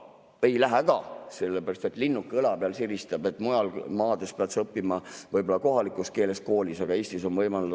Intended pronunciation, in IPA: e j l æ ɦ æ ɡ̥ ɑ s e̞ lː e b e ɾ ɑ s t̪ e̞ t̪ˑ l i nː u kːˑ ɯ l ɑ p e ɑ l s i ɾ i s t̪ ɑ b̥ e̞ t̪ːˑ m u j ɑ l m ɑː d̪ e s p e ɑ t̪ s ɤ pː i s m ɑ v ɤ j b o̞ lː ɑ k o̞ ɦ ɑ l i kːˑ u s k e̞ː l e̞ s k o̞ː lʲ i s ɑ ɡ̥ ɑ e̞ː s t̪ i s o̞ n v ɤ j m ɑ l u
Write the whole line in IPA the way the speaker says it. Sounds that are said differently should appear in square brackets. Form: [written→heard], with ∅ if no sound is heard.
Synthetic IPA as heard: e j l æ ɦ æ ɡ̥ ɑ s e̞ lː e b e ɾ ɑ s t̪ e̞ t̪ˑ l i nː u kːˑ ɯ l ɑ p e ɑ l s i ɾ i s t̪ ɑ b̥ e̞ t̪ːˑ m u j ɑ l m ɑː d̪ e s p e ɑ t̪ s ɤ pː i [s→∅] m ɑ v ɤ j b o̞ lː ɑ k o̞ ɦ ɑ l i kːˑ u s k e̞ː l e̞ s k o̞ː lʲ i s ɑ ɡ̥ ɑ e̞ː s t̪ i s o̞ n v ɤ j m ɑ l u